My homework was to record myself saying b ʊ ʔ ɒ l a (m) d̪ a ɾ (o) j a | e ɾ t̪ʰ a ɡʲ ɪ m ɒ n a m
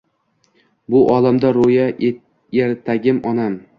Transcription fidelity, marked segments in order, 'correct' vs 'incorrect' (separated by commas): correct, correct